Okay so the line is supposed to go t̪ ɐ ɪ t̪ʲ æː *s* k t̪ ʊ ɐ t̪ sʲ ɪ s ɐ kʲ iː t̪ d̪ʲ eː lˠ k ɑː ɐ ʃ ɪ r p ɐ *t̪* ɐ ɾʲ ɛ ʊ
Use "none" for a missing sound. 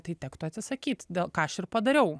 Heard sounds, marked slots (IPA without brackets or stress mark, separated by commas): none, d̪